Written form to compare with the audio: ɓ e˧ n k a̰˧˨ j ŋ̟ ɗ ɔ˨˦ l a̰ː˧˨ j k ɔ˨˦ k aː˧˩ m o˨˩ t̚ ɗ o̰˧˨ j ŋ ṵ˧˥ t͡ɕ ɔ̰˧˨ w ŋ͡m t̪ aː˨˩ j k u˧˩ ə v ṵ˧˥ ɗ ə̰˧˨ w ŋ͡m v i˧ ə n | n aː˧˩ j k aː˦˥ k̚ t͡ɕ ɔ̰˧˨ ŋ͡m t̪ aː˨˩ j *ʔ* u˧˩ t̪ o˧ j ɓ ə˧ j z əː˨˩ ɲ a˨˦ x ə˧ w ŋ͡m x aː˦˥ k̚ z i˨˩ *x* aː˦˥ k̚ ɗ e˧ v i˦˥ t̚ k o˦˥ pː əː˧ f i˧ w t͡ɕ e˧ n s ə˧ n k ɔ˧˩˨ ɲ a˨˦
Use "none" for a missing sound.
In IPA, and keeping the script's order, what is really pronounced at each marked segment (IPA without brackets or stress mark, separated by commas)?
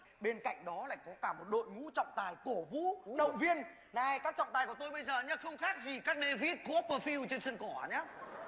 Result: k, k